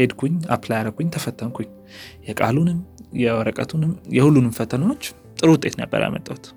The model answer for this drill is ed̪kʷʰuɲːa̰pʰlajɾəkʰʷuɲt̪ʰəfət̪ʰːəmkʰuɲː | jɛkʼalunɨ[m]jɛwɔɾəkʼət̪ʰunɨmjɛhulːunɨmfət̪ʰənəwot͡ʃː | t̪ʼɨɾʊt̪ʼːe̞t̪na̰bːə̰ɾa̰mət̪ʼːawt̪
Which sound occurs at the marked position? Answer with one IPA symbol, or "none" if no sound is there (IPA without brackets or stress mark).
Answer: m